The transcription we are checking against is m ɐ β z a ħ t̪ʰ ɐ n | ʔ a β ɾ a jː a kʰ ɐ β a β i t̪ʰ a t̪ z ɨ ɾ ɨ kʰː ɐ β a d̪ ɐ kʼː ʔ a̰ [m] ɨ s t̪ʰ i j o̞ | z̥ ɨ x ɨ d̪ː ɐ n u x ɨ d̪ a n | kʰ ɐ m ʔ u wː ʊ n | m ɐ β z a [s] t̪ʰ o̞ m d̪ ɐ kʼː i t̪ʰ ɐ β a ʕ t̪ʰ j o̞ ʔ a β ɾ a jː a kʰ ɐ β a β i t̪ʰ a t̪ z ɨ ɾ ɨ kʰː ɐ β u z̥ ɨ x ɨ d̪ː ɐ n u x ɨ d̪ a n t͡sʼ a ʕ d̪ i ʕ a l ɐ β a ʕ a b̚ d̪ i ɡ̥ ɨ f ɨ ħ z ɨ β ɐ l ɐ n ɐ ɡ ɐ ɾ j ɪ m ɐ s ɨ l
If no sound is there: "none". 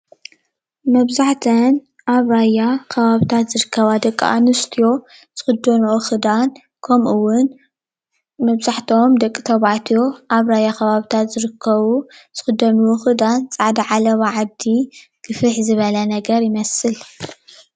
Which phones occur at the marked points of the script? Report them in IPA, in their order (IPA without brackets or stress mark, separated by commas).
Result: n, ħ